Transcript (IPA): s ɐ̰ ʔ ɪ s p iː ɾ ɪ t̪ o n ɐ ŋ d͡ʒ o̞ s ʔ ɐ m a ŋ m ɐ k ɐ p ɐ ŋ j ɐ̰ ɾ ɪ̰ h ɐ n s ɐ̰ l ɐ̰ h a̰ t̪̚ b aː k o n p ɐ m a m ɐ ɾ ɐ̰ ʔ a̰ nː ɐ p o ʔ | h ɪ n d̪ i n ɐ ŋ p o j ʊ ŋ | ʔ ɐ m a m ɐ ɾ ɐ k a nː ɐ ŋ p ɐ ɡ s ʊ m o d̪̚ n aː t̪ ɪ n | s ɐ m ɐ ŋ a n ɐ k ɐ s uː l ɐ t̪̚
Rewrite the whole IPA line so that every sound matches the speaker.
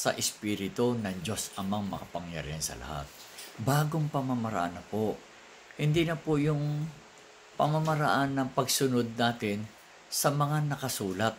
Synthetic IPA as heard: s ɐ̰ ʔ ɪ s p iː ɾ ɪ t̪ o n ɐ ŋ d͡ʒ o̞ s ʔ ɐ m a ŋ m ɐ k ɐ p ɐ ŋ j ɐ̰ ɾ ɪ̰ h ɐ n s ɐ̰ l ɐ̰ h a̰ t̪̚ b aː ɡ o ŋ p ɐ m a m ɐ ɾ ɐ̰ ʔ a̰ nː ɐ p o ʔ | h ɪ n d̪ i n ɐ p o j ʊ ŋ | p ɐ m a m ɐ ɾ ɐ ʔ a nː ɐ ŋ p ɐ ɡ s ʊ n o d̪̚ n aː t̪ ɪ n | s ɐ m ɐ ŋ a n ɐ k ɐ s uː l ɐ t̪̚